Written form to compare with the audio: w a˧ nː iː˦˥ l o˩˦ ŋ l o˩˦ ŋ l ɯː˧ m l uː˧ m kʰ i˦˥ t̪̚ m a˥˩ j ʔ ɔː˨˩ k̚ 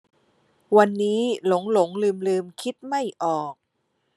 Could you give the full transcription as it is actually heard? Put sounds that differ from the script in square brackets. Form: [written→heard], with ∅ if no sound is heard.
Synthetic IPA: w a˧ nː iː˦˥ l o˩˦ ŋ l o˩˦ ŋ l ɯː˧ m l [uː˧→ɯː˧] m kʰ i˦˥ t̪̚ m a˥˩ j ʔ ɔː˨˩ k̚